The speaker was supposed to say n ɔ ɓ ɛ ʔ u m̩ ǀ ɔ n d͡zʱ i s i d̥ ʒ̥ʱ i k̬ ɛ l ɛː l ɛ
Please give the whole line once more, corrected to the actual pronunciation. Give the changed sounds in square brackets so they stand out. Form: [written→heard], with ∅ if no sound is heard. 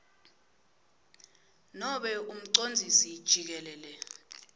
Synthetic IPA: n ɔ ɓ ɛ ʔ u m̩ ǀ [ɔ→o] n d͡zʱ i s i d̥ ʒ̥ʱ i k̬ ɛ l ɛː l ɛ